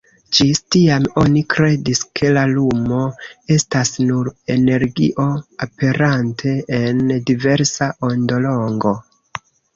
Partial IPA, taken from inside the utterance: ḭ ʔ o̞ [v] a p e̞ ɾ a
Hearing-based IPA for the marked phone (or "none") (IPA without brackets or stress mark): none